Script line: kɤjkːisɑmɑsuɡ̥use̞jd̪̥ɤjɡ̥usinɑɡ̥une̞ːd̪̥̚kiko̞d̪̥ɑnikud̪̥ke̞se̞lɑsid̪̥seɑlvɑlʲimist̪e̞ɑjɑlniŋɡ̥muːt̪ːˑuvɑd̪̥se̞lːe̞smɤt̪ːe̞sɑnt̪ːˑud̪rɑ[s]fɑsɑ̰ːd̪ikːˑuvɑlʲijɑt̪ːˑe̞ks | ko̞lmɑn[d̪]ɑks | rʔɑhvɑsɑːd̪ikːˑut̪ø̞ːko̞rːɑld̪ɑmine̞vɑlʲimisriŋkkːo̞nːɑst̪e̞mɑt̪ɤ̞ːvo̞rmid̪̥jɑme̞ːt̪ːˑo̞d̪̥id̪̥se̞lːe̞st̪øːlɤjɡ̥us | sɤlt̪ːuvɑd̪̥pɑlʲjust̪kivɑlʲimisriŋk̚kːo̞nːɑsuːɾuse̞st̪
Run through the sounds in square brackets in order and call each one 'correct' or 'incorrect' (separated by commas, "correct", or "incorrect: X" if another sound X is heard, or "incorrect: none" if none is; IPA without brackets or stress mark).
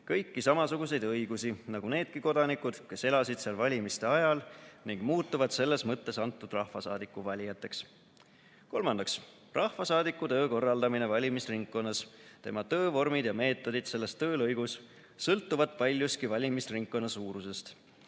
incorrect: h, correct